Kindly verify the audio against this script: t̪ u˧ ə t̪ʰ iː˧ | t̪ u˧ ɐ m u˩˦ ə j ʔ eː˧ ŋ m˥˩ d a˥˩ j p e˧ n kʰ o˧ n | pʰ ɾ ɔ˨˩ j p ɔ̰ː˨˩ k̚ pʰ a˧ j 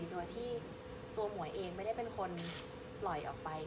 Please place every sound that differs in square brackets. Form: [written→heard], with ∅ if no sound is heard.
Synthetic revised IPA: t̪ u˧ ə t̪ʰ [iː˧→iː˥˩] | t̪ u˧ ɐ m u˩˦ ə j ʔ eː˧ ŋ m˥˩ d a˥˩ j p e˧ n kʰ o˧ n | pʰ [ɾ→l] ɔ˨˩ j [p→ʔ] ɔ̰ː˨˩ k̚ [pʰ→p] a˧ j